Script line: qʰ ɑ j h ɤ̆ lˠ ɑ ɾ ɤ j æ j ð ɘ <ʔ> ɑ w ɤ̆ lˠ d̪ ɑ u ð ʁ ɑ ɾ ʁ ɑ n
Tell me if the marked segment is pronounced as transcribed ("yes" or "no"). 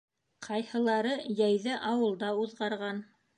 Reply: yes